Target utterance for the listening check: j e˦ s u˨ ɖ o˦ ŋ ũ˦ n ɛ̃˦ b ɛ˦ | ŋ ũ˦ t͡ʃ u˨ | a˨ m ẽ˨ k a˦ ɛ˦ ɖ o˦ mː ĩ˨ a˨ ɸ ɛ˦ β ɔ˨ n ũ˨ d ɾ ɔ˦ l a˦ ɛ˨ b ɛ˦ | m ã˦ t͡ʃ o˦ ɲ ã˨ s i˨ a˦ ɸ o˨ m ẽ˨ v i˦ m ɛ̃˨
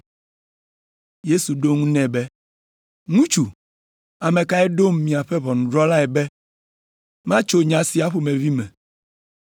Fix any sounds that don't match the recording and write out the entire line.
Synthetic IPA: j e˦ s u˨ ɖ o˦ ŋ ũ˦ n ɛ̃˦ b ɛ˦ | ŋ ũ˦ t͡ʃ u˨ | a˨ m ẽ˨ k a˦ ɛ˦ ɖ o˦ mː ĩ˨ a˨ ɸ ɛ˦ β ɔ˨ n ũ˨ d ɾ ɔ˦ l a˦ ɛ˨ b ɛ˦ | m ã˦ t͡ʃ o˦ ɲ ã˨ s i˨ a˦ ɸ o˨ m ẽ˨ v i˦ m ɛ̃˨